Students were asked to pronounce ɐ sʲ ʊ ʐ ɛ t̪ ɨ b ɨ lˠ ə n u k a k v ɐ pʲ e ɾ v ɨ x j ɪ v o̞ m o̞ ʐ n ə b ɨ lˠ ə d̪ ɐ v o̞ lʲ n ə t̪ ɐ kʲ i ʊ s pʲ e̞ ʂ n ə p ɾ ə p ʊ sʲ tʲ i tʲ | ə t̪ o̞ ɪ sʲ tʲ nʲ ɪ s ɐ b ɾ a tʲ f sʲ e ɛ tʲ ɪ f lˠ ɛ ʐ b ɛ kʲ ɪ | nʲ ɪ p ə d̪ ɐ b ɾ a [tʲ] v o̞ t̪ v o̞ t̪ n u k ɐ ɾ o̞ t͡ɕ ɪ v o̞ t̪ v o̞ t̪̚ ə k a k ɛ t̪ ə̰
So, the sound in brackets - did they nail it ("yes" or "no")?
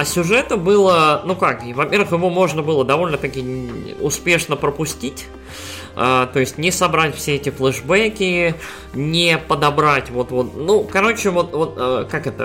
yes